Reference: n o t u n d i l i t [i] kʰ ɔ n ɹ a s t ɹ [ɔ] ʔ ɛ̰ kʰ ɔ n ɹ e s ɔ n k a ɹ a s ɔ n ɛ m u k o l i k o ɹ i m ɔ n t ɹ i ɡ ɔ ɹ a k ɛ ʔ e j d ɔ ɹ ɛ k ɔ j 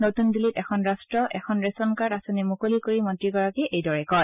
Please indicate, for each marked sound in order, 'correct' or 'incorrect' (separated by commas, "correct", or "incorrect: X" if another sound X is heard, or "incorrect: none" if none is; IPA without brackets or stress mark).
incorrect: ɛ, correct